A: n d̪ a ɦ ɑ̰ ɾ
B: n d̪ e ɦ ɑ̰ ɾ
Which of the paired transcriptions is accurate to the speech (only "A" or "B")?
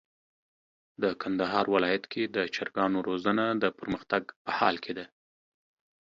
A